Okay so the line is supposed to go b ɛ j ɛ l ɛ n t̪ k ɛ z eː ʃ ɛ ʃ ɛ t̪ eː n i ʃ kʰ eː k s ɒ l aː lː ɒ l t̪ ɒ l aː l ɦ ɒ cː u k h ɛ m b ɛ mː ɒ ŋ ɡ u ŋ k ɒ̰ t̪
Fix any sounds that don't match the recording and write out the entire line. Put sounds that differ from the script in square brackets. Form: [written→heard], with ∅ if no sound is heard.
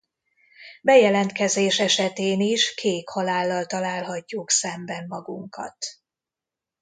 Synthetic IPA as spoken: b ɛ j ɛ l ɛ n t̪ k ɛ z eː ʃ ɛ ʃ ɛ t̪ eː n i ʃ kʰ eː k [s→h] ɒ l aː lː ɒ l t̪ ɒ l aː l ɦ ɒ cː u k [h→s] ɛ m b ɛ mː ɒ [ŋ→∅] ɡ u ŋ k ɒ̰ t̪